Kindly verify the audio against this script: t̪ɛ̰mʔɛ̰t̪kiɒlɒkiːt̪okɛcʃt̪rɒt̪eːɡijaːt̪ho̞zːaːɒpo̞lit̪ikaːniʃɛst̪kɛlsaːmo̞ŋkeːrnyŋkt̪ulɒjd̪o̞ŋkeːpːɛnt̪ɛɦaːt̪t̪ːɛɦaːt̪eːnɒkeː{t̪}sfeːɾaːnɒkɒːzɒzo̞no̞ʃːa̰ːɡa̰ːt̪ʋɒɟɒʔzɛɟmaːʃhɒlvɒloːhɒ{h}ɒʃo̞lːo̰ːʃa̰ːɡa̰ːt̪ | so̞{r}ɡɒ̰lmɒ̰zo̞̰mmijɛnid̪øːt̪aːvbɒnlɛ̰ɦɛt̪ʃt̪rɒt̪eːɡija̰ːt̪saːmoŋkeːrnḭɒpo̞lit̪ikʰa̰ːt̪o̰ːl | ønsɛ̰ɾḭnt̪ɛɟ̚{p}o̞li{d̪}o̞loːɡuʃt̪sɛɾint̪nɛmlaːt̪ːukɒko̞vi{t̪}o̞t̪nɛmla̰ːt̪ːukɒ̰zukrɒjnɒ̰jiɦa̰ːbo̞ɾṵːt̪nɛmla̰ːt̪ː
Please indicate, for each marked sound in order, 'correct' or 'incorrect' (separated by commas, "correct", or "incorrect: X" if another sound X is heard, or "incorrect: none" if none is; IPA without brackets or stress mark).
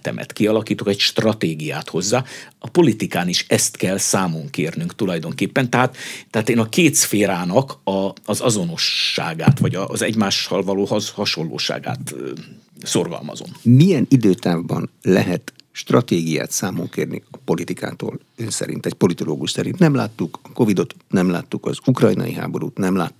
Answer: correct, correct, correct, correct, incorrect: t̪, incorrect: d̪